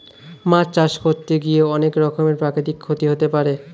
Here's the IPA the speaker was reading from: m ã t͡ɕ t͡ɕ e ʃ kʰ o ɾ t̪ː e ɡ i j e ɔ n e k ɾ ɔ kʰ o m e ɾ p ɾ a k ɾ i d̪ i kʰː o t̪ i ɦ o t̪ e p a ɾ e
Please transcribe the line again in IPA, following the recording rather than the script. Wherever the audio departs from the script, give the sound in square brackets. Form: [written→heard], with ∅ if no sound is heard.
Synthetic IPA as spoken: m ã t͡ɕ t͡ɕ [e→a] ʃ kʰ o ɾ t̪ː e ɡ i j e ɔ n e k ɾ ɔ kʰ o m e ɾ p ɾ a k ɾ i [d̪→t̪] i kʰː o t̪ i ɦ o t̪ e p a ɾ e